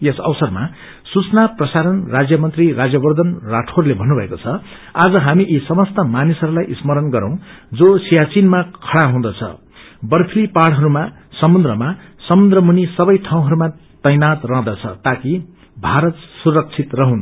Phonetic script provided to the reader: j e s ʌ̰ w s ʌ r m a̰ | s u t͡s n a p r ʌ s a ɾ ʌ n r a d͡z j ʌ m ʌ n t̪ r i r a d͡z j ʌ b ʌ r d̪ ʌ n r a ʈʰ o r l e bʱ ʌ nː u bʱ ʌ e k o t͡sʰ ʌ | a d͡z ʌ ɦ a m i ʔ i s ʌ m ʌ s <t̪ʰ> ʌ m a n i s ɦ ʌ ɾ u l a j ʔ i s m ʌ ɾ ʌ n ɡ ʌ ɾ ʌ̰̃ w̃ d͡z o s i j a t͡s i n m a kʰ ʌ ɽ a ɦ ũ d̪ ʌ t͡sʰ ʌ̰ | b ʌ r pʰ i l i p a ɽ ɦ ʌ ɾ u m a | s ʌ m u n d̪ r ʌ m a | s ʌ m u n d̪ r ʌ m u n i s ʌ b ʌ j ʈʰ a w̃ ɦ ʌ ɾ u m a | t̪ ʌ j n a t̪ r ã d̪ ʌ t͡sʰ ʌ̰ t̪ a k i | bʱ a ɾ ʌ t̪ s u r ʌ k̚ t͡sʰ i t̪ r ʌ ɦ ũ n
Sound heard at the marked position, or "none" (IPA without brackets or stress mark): t̪